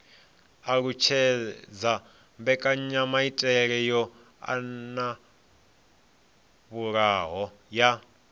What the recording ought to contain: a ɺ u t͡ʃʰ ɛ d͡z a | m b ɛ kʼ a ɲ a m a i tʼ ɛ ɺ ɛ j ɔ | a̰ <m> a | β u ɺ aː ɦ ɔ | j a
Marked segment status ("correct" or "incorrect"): incorrect